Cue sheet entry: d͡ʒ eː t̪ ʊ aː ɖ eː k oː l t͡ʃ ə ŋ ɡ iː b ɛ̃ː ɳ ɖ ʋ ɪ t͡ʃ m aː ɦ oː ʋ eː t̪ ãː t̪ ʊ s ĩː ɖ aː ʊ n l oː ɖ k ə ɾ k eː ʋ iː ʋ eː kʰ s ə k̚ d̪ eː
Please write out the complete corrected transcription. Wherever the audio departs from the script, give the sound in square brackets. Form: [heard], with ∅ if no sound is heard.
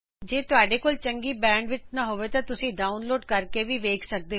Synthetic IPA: d͡ʒ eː t̪ ʊ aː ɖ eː k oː l t͡ʃ ə ŋ ɡ iː b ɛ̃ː ɳ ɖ ʋ ɪ t͡ʃ [n] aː ɦ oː ʋ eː t̪ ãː t̪ ʊ s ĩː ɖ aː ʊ n l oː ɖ k ə ɾ k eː ʋ iː ʋ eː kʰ s ə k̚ d̪ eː

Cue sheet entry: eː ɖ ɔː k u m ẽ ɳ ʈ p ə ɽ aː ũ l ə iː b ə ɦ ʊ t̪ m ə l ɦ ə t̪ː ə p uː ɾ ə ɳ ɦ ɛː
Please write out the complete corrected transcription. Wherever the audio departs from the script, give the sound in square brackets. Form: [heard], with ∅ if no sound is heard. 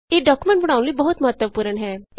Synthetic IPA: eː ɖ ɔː k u m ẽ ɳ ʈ [b] ə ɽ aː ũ l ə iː b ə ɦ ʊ t̪ m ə [∅] ɦ ə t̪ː ə p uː ɾ ə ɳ ɦ ɛː

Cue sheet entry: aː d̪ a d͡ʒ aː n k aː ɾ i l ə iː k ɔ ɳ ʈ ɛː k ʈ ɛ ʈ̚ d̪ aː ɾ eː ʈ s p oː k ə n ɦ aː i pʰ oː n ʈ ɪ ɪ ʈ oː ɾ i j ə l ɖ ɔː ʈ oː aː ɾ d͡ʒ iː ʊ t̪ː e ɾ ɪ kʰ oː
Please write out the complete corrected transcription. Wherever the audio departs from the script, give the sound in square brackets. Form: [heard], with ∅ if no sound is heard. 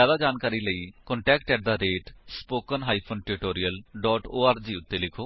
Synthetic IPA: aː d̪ a d͡ʒ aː n k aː ɾ i l ə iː k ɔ ɳ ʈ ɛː k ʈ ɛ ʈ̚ d̪ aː ɾ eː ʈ s p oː k ə n ɦ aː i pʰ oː n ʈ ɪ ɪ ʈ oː ɾ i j ə l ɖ ɔː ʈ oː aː ɾ d͡ʒ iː ʊ t̪ː e [l] ɪ kʰ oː

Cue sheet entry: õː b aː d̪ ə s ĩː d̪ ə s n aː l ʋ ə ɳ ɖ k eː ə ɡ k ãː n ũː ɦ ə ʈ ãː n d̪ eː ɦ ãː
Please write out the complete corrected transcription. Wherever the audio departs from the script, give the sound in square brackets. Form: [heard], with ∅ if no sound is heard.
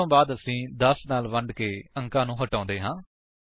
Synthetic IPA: õː b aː d̪ ə s ĩː d̪ ə s n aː l ʋ ə ɳ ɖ k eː ə [ŋ] k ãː n ũː ɦ ə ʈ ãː n d̪ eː ɦ ãː

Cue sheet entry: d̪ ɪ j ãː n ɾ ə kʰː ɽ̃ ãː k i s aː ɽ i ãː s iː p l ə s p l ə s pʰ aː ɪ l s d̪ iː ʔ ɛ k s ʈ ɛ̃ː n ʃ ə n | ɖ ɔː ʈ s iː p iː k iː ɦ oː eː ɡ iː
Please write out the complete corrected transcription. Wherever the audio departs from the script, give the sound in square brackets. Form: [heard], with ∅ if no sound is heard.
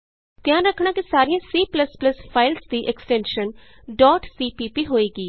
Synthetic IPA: [t̪] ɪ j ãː n ɾ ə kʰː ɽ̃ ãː k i s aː [ɾ] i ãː s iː p l ə s p l ə s pʰ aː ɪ l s d̪ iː ʔ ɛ k s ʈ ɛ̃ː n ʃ ə n | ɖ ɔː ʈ s iː p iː [p] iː ɦ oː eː ɡ iː

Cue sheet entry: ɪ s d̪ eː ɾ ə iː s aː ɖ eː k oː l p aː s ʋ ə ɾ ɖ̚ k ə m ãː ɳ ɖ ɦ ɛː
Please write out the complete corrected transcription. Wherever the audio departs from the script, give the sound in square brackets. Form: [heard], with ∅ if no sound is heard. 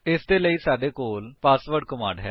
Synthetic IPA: ɪ s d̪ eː [l] ə iː s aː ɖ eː k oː l p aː s ʋ ə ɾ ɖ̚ k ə m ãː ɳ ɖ ɦ ɛː

